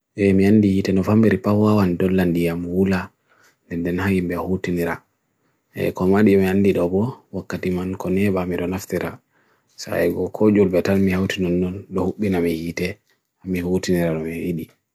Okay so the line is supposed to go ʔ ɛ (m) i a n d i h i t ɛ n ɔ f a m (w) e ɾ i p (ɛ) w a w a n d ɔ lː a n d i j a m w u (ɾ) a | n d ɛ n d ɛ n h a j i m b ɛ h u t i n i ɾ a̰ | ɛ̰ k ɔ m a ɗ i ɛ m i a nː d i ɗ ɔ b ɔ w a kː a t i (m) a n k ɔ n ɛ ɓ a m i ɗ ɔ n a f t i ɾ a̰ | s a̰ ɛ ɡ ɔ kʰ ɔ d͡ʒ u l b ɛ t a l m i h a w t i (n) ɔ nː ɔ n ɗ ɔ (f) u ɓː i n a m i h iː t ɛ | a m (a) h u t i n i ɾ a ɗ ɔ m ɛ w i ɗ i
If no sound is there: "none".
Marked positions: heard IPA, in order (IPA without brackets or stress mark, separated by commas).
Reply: m, b, a, l, m, n, h, i